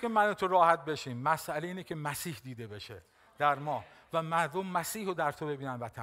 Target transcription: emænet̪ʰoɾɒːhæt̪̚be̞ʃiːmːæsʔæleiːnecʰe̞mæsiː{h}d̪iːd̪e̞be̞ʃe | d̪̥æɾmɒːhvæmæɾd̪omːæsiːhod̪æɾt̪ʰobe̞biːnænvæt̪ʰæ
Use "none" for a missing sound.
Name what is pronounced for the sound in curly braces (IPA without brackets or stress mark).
h